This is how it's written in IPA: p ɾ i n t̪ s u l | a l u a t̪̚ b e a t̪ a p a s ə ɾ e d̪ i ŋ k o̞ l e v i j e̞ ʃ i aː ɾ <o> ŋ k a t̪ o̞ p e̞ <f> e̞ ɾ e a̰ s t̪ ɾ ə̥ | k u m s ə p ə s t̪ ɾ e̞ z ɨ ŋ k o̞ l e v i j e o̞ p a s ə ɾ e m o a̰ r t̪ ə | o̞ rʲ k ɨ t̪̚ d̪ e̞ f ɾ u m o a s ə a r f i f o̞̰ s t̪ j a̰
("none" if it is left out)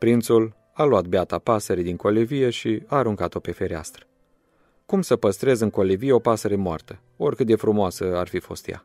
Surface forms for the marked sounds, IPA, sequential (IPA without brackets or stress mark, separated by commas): u, f